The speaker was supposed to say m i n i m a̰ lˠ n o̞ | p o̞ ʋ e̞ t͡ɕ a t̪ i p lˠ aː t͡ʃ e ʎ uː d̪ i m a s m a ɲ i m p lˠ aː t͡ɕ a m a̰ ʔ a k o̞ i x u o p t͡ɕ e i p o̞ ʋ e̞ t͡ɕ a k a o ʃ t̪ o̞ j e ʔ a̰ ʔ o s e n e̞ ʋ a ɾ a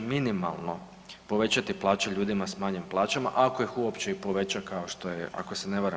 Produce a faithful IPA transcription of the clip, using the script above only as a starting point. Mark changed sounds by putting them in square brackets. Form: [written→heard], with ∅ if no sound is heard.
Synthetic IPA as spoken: m i n i m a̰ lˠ n o̞ | p o̞ ʋ e̞ t͡ɕ a t̪ i p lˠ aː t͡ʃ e ʎ uː d̪ i m a s m a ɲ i m p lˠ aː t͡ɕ a m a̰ ʔ a k o̞ i x u o p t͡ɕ e i p o̞ ʋ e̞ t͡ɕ a k a o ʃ t̪ o̞ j e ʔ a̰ [ʔ→k] o s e n e̞ ʋ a ɾ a